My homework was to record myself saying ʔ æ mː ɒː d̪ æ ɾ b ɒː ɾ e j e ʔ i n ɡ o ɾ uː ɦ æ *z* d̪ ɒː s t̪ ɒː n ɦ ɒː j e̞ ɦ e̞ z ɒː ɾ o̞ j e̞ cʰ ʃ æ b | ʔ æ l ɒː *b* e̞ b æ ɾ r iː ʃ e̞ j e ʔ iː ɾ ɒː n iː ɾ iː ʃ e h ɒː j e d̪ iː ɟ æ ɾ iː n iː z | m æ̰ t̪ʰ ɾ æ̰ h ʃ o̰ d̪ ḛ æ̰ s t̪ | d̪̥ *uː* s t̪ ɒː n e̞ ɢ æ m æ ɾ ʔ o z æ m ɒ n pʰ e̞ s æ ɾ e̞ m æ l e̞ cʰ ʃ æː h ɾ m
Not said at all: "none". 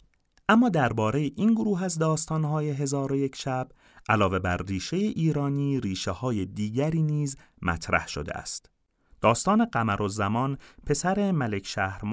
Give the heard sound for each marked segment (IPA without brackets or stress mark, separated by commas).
z, v, ɒː